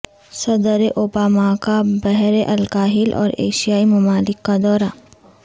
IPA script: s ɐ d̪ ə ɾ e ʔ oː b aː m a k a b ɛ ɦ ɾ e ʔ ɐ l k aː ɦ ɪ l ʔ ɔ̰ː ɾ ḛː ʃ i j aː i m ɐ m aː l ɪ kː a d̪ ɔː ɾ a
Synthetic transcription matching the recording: s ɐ d̪ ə ɾ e ʔ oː b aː m a k a b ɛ ɦ ɾ e ʔ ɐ l k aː ɦ ɪ l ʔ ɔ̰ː ɾ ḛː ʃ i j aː i m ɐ m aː l ɪ kː a d̪ ɔː ɾ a